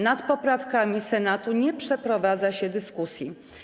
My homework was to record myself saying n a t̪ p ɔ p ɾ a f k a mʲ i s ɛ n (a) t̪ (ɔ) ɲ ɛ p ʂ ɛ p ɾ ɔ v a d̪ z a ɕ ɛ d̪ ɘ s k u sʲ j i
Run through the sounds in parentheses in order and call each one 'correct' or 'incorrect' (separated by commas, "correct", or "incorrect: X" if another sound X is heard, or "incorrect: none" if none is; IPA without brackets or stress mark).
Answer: correct, incorrect: u